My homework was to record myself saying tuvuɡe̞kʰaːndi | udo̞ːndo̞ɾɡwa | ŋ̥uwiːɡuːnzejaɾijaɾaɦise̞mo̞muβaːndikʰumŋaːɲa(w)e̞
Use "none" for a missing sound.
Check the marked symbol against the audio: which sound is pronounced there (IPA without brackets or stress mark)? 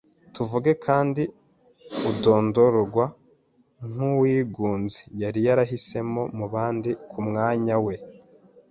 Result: w